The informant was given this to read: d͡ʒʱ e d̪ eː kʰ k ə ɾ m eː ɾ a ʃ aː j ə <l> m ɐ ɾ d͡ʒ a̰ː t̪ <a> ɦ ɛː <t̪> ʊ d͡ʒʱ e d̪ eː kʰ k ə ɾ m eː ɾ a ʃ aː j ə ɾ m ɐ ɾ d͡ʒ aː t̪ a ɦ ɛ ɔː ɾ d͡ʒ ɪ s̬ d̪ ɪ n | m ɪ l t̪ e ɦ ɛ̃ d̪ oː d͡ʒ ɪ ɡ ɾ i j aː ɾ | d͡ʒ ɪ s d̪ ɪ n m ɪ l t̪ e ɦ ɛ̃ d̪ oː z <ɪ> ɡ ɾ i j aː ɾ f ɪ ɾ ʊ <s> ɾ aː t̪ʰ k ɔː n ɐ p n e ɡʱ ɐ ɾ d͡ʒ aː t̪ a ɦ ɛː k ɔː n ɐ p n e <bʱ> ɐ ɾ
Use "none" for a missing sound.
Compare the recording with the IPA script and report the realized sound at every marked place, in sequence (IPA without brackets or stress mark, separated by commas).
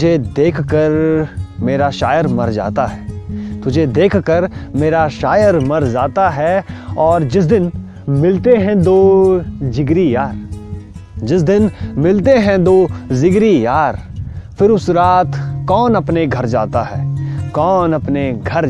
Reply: ɾ, a, t̪, ɪ, s, ɡʱ